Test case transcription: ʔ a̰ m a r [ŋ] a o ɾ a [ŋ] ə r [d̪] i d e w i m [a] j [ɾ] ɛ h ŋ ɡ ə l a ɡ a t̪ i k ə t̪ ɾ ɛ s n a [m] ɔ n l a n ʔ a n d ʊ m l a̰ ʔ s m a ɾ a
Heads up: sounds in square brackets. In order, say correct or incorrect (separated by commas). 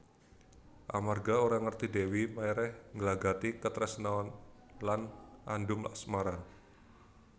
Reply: incorrect, correct, incorrect, correct, correct, incorrect